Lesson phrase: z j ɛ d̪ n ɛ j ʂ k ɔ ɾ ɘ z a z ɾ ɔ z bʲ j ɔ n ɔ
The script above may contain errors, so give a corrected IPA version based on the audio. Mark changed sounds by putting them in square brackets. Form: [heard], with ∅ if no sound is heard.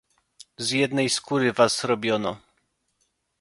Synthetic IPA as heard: z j ɛ d̪ n ɛ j [s] k [u] ɾ ɘ [v] a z ɾ ɔ [∅] bʲ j ɔ n ɔ